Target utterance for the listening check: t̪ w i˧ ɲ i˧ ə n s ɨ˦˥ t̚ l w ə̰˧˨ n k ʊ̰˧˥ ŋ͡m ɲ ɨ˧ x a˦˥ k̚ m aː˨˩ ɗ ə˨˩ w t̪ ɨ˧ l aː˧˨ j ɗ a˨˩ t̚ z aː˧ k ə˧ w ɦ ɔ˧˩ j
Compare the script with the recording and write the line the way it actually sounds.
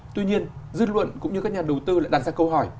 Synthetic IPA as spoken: t̪ w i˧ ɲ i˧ ə n z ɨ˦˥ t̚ l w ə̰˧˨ n k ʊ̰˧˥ ŋ͡m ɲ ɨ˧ k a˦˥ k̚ ɲ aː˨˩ ɗ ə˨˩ w t̪ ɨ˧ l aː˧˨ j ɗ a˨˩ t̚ z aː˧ k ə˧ w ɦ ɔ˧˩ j

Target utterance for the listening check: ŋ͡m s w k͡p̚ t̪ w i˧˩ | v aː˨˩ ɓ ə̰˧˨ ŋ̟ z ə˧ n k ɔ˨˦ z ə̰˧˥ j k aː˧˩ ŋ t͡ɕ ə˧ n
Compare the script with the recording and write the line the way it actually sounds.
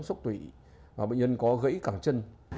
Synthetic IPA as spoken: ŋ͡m s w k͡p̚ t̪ w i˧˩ | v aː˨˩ ɓ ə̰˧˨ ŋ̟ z ə˧ n k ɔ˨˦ ɣ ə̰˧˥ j k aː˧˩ ŋ t͡ɕ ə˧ n

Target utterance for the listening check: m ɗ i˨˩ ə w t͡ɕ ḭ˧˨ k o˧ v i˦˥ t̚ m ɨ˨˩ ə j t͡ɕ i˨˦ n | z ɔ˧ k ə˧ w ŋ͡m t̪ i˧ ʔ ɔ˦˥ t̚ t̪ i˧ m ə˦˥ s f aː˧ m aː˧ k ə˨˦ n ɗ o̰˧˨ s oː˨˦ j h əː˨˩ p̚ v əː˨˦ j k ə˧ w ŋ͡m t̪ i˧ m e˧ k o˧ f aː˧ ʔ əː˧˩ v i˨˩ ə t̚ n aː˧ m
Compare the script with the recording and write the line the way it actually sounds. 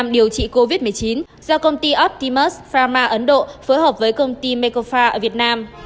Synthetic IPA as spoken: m ɗ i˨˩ ə w t͡ɕ ḭ˧˨ k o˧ v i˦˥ t̚ m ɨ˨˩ ə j t͡ɕ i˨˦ n | z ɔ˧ k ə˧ w ŋ͡m t̪ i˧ ʔ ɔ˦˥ p̚ t̪ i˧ m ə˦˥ s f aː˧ m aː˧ ʔ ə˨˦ n ɗ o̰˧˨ f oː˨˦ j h əː˨˩ p̚ v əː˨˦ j k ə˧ w ŋ͡m t̪ i˧ m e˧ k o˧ f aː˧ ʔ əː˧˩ v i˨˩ ə t̚ n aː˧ m

